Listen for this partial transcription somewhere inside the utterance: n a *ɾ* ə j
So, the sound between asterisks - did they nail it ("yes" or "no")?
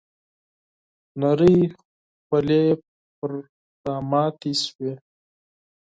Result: yes